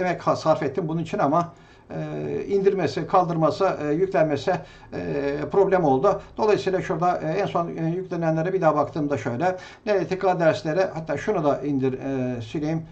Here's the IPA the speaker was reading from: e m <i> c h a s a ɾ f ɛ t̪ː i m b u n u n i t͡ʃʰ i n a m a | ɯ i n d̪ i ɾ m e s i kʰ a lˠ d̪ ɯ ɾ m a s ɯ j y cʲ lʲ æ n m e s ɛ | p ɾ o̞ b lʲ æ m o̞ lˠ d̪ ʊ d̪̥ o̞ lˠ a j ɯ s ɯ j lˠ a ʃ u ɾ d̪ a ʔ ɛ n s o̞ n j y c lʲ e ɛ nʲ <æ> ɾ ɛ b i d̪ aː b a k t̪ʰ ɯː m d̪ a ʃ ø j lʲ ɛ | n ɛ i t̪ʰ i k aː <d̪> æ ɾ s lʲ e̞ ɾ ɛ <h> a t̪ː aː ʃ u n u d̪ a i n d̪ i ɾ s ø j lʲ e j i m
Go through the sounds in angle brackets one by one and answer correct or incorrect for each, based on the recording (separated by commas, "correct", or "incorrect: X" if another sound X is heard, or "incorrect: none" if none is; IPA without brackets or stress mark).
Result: incorrect: ɛ, incorrect: e, correct, correct